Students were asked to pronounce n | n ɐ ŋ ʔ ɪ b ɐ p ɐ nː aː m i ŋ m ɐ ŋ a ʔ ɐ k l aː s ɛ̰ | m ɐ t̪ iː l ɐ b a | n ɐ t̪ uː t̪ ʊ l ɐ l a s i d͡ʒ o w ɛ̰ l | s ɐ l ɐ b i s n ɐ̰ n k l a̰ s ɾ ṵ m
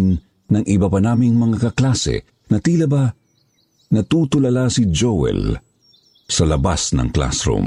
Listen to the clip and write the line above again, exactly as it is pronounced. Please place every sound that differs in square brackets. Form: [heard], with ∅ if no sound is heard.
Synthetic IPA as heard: n | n ɐ ŋ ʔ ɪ b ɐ p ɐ [n] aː m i ŋ m ɐ ŋ a [k] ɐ k l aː s ɛ̰ | [n] ɐ t̪ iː l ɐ b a | n ɐ t̪ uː t̪ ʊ l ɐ l a s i d͡ʒ o w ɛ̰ l | s ɐ l ɐ b [a] s n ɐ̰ [ŋ] k l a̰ s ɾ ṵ m